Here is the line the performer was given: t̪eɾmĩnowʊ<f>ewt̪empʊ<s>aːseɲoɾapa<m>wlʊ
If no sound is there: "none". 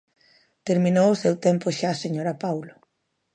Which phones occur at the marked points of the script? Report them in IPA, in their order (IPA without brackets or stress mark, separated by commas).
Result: s, ʃ, none